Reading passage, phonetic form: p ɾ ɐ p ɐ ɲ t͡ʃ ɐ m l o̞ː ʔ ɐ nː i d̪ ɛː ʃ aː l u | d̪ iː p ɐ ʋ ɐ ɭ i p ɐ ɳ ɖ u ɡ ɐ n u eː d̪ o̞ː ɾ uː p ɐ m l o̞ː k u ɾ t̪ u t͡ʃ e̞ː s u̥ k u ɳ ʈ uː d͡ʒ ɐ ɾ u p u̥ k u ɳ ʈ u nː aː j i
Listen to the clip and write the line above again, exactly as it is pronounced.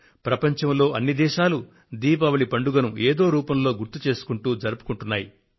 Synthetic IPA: p ɾ ɐ p ɐ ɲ t͡ʃ ɐ m l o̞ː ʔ ɐ nː i d̪ ɛː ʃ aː l u | d̪ iː p ɐ ʋ ɐ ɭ i p ɐ ɳ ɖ u ɡ ɐ n u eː d̪ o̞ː ɾ uː p ɐ m l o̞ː ɡ u ɾ t̪ u t͡ʃ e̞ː s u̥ k u ɳ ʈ uː d͡ʒ ɐ ɾ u p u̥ k u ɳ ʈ u nː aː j i